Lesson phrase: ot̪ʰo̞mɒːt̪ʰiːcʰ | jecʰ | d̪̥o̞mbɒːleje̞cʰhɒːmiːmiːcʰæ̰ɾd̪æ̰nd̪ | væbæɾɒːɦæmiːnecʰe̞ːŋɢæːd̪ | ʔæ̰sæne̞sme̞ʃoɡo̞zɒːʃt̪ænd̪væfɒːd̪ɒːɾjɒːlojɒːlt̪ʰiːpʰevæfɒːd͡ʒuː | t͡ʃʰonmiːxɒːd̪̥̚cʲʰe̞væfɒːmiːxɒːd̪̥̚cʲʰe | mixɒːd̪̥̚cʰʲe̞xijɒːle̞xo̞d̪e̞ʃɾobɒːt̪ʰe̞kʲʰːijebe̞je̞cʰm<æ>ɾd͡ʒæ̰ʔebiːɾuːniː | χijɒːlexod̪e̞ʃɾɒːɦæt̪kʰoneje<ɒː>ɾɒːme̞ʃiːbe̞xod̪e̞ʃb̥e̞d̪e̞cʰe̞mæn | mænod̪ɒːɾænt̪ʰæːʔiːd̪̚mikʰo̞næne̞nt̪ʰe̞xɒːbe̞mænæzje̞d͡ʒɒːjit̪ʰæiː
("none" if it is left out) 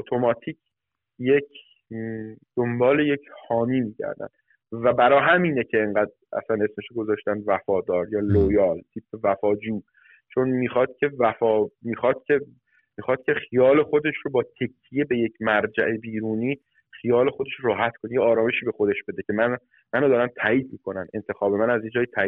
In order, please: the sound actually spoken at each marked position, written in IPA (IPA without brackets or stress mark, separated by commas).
æ, ɒː